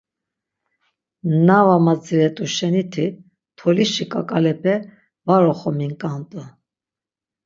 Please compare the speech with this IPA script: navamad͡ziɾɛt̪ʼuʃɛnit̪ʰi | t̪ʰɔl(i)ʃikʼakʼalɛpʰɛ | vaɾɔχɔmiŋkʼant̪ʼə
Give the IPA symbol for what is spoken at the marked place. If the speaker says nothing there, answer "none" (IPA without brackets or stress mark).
i